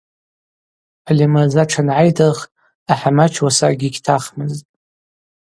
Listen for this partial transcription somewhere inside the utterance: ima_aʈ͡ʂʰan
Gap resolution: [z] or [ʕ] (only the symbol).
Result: z